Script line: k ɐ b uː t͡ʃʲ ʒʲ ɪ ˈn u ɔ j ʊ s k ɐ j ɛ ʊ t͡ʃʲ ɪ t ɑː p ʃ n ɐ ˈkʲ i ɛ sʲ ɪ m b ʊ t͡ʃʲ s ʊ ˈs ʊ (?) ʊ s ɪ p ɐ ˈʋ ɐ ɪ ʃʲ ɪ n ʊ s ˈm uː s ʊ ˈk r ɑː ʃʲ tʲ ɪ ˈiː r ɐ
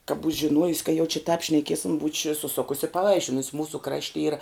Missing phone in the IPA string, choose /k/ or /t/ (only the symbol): k